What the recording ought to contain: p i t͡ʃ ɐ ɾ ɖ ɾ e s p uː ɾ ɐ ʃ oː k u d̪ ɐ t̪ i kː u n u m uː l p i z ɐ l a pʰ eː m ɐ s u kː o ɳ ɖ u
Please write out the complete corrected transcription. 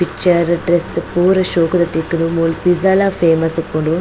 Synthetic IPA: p i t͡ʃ ɐ ɾ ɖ ɾ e s p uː ɾ ɐ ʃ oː k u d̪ ɐ t̪ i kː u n u m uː l p i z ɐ l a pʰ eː m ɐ s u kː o ɳ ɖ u